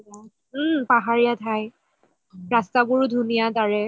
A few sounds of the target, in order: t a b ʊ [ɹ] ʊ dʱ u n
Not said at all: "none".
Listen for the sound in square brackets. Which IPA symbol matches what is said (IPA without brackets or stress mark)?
ɹ